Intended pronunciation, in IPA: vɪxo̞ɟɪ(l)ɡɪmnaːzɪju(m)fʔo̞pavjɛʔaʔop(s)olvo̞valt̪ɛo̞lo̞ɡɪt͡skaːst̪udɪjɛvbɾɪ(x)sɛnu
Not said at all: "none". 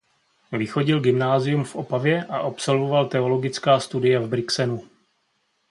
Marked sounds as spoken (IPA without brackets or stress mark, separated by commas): l, m, s, k